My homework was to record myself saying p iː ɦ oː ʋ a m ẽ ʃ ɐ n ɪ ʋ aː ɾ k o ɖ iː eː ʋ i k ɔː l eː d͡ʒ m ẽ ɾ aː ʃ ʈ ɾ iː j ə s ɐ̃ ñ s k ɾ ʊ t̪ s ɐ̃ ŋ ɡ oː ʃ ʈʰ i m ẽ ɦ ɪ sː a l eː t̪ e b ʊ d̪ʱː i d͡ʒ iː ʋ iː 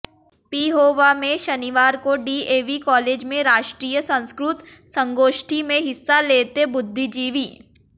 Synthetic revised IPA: p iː ɦ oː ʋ a m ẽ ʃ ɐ n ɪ ʋ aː ɾ k o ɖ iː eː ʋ i k ɔː l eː d͡ʒ m ẽ ɾ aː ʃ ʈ ɾ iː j ə s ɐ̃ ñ s k ɾ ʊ t̪ s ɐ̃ ŋ ɡ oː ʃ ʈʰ i m ẽ ɦ ɪ sː a l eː t̪ e b ʊ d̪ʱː i d͡ʒ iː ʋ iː